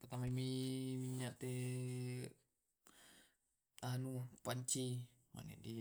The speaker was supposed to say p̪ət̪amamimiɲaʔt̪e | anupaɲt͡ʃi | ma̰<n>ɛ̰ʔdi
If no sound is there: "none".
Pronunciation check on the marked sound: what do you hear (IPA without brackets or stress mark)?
n